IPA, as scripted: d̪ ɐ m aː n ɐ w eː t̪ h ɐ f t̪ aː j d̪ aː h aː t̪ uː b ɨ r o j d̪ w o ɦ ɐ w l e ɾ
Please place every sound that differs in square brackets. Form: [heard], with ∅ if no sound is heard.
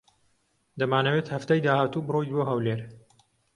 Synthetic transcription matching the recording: d̪ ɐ m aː n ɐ w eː t̪ h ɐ f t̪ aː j d̪ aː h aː t̪ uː b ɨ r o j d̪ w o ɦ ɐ w l e ɾ

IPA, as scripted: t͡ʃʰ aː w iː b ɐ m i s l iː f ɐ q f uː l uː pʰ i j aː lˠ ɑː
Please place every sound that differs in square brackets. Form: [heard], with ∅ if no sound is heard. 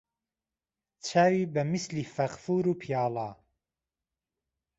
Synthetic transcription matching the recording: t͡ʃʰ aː w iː b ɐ m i s l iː f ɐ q f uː [ɾ] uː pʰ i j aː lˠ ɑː

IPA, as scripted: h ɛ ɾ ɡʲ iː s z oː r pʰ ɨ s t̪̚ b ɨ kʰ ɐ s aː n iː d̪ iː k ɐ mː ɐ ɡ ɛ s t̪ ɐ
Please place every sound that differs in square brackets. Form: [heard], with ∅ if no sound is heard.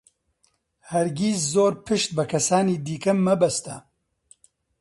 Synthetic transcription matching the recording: h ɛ ɾ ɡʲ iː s z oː [ɾ] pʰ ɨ [ʃ] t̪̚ b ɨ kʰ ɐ s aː n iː d̪ iː k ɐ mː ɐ [b] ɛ s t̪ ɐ

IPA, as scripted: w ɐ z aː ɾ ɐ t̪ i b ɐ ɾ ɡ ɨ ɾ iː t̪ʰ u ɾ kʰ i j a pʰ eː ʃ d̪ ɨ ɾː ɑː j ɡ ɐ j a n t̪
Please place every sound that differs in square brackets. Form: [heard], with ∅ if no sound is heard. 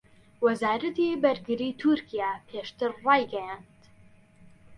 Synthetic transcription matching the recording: w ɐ z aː ɾ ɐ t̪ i b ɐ ɾ ɡ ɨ ɾ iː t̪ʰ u ɾ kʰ i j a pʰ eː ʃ [t̪] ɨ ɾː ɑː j ɡ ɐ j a n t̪

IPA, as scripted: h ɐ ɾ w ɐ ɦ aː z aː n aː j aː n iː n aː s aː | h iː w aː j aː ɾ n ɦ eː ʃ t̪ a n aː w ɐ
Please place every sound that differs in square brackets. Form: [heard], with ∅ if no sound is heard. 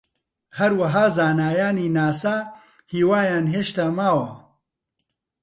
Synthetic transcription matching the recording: h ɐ ɾ w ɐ ɦ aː z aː n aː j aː n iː n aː s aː | h iː w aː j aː [∅] n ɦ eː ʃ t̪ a [m] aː w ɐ

